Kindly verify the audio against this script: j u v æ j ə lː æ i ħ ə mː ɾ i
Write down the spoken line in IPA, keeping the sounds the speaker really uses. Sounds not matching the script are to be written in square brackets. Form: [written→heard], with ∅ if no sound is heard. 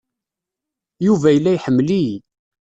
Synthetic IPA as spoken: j u v æ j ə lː æ [i→j] ħ ə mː [ɾ→l] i